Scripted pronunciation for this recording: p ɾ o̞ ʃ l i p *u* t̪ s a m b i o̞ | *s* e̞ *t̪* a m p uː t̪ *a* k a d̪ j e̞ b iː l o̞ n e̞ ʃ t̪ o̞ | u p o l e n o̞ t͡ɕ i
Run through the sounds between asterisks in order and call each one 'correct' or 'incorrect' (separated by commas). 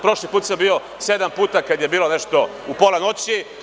incorrect, correct, incorrect, correct